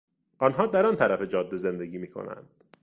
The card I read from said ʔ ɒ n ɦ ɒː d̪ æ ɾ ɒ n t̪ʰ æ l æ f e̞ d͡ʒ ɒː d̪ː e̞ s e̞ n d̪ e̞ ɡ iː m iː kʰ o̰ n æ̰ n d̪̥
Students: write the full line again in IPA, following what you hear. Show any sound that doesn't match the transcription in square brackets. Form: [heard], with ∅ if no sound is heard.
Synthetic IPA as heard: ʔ ɒ n ɦ ɒː d̪ æ ɾ ɒ n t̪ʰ æ [ɾ] æ f e̞ d͡ʒ ɒː d̪ː e̞ [z] e̞ n d̪ e̞ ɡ iː m iː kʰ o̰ n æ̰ n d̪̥

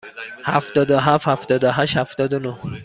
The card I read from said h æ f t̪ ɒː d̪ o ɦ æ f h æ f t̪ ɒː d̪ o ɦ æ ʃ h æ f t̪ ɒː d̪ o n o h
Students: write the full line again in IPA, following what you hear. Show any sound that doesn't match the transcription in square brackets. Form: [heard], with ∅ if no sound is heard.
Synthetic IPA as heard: h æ f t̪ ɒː d̪ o ɦ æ f h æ f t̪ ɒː d̪ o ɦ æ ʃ h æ f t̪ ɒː d̪ o n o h

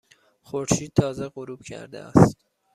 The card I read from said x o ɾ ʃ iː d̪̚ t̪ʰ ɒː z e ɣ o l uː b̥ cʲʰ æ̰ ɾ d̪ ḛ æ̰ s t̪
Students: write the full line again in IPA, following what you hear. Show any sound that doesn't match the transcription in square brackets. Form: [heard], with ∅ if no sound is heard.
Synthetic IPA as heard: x o ɾ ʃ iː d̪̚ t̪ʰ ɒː z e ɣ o [ɾ] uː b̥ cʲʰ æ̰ ɾ d̪ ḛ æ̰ s t̪

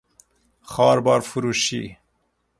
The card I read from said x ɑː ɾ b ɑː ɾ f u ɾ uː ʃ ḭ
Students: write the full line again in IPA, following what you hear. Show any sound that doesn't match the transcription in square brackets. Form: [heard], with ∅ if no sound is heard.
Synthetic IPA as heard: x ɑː ɾ b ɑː ɾ f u ɾ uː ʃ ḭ

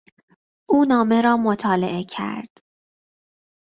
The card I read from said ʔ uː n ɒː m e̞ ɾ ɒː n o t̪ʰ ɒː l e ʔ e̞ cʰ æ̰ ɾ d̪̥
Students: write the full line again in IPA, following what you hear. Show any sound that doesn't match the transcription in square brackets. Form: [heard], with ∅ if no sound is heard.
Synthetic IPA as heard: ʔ uː n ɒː m e̞ ɾ ɒː [m] o t̪ʰ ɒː l e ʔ e̞ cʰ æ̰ ɾ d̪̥

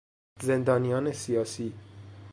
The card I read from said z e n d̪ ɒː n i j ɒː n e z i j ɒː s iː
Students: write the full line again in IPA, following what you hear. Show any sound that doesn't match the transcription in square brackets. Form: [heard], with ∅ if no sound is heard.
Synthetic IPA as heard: z e n d̪ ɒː n i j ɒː n e [s] i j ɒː s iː

